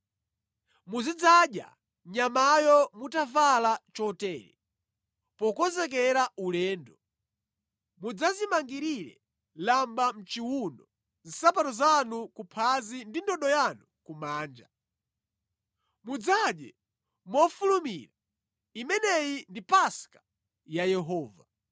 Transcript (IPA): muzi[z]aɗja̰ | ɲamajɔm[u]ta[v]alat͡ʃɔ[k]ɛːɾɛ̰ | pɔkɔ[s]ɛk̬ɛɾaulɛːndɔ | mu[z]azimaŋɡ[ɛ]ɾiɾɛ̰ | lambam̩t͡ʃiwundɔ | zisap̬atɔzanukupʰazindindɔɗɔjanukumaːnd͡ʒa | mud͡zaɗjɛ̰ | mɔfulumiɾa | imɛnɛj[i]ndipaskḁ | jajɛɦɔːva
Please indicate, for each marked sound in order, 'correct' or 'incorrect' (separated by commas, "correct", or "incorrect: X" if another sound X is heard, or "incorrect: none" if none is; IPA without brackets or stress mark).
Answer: incorrect: d͡z, correct, correct, incorrect: t, incorrect: z, incorrect: d͡z, incorrect: i, correct